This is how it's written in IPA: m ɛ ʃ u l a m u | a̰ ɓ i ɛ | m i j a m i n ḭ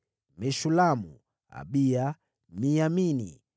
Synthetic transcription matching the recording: m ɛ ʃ u l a m u | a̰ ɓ i a | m i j a m i n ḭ